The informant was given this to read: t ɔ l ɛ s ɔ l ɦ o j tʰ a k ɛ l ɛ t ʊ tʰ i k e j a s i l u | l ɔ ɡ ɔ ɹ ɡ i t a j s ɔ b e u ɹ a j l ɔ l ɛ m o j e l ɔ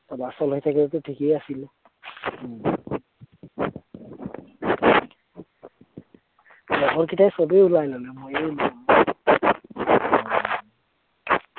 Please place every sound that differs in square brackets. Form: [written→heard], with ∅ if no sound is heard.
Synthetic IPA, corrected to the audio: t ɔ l [ɛ→a] s ɔ l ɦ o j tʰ a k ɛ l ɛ t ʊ tʰ i k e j a s i l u | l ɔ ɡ ɔ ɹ [ɡ→k] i t a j s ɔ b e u [ɹ→l] a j l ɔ l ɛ m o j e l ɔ

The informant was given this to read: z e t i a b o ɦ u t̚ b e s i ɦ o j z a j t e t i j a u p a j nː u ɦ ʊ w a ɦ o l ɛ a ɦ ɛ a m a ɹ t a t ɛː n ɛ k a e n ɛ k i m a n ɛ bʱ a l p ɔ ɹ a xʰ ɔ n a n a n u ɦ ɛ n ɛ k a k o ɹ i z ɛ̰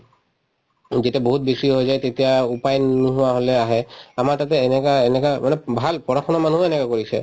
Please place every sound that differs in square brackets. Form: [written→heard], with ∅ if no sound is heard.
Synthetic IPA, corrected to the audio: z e t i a b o ɦ u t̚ b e s i ɦ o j z a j t e t i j a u p a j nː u ɦ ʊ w a ɦ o l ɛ a ɦ ɛ a m a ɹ t a t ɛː n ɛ k a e n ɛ k [i→a] m a n ɛ bʱ a l p ɔ ɹ a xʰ ɔ n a [n→m] a n u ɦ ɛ n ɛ k a k o ɹ i [z→s] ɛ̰

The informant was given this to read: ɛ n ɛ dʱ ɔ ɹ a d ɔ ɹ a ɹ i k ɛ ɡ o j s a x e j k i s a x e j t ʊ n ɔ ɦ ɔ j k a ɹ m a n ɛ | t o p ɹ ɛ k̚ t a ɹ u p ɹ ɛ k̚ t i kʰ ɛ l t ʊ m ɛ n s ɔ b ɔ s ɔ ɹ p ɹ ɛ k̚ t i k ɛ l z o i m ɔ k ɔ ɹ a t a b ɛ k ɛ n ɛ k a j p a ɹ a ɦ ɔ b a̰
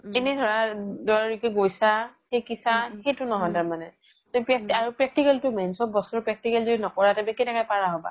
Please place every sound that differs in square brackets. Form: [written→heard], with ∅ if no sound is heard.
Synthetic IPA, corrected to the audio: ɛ n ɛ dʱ ɔ ɹ a d ɔ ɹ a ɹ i k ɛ ɡ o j s a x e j k i s a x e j t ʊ n ɔ ɦ ɔ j [k→t] a ɹ m a n ɛ | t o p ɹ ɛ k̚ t a ɹ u p ɹ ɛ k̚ t i [kʰ→k] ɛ l t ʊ m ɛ n s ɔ b ɔ s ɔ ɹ p ɹ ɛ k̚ t i k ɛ l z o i [m→n] ɔ k ɔ ɹ a t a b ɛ k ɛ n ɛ k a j p a ɹ a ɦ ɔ b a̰

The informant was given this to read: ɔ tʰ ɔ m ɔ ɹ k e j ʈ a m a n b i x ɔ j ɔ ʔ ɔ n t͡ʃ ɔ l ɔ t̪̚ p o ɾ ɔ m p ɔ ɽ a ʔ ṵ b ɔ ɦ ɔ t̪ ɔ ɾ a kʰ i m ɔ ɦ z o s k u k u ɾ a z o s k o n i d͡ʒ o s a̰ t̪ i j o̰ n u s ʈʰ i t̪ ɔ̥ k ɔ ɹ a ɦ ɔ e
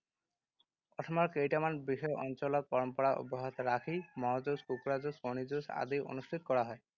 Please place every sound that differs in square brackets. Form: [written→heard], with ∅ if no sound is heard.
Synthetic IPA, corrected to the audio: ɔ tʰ ɔ m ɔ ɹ k e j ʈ a m a n b i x ɔ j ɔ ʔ ɔ n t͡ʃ ɔ l ɔ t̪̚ p [o→ɔ] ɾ ɔ m p ɔ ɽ a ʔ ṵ b ɔ ɦ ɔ t̪ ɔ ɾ a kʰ i m ɔ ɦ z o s k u k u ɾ a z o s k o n i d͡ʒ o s a̰ [t̪→d̪] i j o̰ n u s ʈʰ i t̪ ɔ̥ k ɔ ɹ a ɦ ɔ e

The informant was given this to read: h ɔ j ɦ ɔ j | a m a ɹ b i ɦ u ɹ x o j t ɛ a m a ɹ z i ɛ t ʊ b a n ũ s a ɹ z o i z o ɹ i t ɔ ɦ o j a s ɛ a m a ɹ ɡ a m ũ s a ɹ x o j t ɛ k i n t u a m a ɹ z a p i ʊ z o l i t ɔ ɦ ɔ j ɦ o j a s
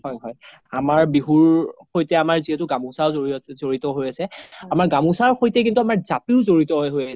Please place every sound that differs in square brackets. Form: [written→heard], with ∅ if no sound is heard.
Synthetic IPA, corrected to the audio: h ɔ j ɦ ɔ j | a m a ɹ b i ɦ u ɹ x o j t ɛ a m a ɹ z i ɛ t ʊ [b→ɡ] a [n→m] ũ s a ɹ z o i z o ɹ i t ɔ ɦ o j a s ɛ a m a ɹ ɡ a m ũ s a ɹ x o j t ɛ k i n t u a m a ɹ z a p i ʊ z o [l→ɹ] i t ɔ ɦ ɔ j ɦ o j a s

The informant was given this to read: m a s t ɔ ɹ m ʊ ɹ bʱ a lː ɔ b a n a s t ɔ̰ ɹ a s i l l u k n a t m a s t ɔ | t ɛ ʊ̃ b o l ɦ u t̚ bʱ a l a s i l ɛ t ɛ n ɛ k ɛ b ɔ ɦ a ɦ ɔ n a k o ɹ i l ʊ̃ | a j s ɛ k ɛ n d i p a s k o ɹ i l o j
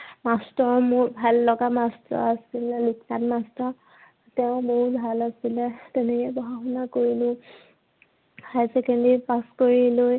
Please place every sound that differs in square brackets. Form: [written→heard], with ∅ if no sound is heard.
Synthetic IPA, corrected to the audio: m a s t ɔ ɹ m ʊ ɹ bʱ a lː ɔ [b→ɡ] a [n→m] a s t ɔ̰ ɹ a s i l l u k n a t m a s t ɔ | t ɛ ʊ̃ b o [l→∅] ɦ u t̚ bʱ a l a s i l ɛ t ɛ n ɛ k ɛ b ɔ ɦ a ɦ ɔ n a k o ɹ i l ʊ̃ | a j s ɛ k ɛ n d i p a s k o ɹ i l o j

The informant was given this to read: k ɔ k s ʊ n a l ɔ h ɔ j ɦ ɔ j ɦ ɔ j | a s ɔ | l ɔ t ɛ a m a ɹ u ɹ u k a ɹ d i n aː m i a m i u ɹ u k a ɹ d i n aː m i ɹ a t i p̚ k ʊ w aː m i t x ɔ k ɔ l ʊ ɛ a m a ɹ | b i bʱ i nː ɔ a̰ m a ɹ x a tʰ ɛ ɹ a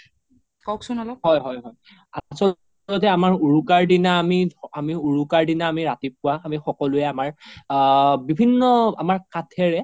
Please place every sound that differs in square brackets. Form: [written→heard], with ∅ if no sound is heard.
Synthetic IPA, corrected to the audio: k ɔ k s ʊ n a l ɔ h ɔ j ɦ ɔ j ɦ ɔ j | a s ɔ | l ɔ t ɛ a m a ɹ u ɹ u k a ɹ d i n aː m i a m i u ɹ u k a ɹ d i n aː m i ɹ a t i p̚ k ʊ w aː m i [t→∅] x ɔ k ɔ l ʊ ɛ a m a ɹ | b i bʱ i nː ɔ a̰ m a ɹ [x→k] a tʰ ɛ ɹ [a→ɛ]

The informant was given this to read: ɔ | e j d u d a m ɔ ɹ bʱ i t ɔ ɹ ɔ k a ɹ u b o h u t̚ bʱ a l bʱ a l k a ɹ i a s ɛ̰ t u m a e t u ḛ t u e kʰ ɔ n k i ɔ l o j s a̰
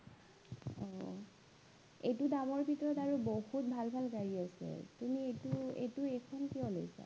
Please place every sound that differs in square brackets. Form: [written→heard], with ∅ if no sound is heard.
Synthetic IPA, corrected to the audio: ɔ | e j [d→t] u d a m ɔ ɹ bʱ i t ɔ ɹ ɔ [k→t] a ɹ u b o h u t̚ bʱ a l bʱ a l k a ɹ i a s ɛ̰ t u m [a→i] e t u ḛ t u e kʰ ɔ n k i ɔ l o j s a̰

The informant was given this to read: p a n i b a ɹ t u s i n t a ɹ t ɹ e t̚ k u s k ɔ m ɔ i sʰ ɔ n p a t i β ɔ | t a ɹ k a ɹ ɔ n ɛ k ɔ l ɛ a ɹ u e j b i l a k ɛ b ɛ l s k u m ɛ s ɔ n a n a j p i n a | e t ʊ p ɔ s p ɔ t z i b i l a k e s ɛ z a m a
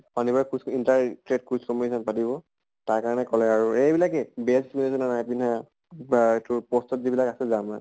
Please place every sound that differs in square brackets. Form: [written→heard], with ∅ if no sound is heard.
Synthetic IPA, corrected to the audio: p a n i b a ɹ [t→k] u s i n t a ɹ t ɹ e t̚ k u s k ɔ m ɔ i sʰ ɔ n p a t i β ɔ | t a ɹ k a ɹ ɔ n ɛ k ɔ l ɛ a ɹ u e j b i l a k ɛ b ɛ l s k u [m→n] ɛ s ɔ n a n a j p i n a | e t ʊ p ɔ s [p→t] ɔ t z i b i l a k [e→a] s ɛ z a m a

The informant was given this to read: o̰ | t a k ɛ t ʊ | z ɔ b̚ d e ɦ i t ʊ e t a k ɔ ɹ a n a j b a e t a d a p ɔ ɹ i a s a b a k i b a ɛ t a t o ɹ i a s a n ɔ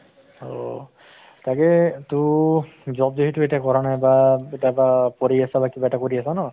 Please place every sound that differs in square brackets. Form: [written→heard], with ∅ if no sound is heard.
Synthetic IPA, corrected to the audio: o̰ | t a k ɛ t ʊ | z ɔ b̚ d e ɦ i t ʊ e t a k ɔ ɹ a n a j b a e t a [d→b] a p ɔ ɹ i a s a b a k i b a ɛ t a [t→k] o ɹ i a s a n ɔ

